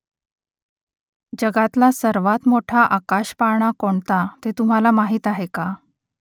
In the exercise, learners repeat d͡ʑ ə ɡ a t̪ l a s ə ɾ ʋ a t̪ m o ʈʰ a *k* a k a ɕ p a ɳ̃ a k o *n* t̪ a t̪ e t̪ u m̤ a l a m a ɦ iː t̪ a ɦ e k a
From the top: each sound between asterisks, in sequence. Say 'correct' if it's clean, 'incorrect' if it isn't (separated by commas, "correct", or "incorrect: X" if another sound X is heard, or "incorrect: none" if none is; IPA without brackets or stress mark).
incorrect: ʔ, incorrect: ɳ